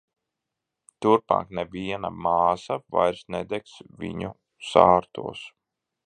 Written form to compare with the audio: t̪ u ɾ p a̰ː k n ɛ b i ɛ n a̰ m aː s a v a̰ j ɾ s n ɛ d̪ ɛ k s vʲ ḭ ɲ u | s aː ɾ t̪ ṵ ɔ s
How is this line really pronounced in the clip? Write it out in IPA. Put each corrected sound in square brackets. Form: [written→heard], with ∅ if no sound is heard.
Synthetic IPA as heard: t̪ u ɾ p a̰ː k n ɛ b i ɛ n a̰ m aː s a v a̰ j ɾ s n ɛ d̪ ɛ k s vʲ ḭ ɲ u | s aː ɾ t̪ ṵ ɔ s